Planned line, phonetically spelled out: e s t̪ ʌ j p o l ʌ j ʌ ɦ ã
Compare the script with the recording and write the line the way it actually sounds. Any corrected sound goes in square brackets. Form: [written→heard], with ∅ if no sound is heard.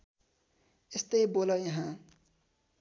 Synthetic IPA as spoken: e s t̪ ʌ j [p→b] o l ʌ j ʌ ɦ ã